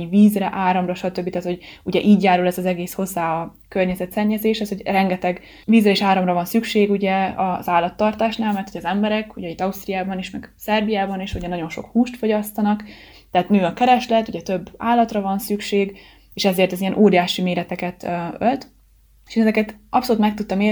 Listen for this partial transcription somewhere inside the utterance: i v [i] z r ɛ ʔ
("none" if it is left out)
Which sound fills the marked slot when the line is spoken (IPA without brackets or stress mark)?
iː